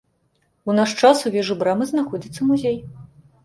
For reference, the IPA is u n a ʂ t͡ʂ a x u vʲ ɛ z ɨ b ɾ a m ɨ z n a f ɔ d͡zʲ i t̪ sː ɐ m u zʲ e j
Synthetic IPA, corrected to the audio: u n a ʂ t͡ʂ a s u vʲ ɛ ʐ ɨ b ɾ a m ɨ z n a x ɔ d͡zʲ i t̪ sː ɐ m u zʲ e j